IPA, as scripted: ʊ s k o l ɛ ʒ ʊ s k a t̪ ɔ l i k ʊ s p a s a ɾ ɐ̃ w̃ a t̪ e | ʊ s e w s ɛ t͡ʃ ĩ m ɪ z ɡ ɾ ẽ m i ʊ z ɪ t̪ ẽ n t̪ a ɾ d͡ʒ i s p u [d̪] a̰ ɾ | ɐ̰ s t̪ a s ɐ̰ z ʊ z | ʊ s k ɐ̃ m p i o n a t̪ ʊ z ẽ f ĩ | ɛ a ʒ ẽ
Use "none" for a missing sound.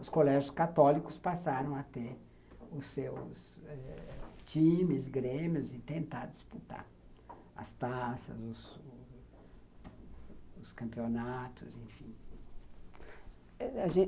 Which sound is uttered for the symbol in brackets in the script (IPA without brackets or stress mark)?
t̪